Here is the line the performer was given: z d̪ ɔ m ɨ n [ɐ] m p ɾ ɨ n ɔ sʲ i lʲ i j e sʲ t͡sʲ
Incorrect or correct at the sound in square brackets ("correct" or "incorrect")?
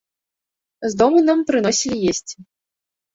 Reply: incorrect